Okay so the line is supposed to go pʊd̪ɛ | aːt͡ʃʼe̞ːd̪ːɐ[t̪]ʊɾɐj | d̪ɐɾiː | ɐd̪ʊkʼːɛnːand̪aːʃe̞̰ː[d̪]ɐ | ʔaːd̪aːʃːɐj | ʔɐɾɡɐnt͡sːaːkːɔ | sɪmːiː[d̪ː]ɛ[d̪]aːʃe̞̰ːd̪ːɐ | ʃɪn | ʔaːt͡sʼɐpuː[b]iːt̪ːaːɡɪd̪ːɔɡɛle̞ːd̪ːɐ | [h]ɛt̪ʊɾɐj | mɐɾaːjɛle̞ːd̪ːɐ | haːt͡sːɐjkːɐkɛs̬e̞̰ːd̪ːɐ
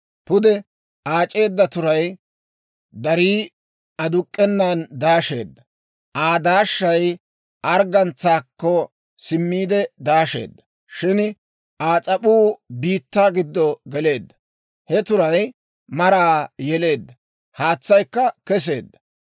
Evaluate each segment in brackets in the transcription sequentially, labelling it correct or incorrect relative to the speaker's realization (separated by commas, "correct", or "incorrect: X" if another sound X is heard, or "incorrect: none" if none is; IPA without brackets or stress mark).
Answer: correct, incorrect: d̪ː, incorrect: d̪, correct, correct, correct